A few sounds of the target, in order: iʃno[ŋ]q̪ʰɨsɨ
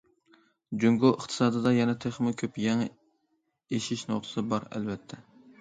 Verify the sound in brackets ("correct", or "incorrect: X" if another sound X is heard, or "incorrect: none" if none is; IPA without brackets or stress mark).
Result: incorrect: none